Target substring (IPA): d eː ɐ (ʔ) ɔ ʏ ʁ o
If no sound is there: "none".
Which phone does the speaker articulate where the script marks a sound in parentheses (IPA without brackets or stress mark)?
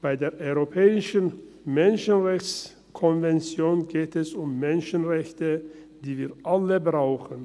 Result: ʔ